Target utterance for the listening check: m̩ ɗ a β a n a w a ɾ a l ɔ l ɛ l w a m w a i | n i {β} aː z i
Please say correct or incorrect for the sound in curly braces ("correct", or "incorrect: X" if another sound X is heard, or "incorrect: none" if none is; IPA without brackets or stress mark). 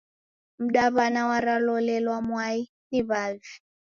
correct